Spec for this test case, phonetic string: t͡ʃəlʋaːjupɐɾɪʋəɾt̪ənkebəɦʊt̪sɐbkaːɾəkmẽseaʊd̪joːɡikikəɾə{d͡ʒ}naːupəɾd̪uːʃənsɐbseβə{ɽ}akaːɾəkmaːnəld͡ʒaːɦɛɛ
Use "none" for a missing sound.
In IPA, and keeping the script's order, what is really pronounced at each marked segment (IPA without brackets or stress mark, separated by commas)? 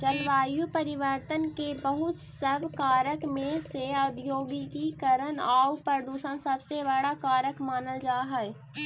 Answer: none, ɽ